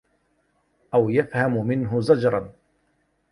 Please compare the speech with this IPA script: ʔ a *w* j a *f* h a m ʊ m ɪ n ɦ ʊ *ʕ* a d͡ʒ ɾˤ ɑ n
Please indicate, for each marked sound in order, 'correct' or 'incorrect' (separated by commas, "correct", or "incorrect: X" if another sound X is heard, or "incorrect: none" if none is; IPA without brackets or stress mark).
correct, correct, incorrect: z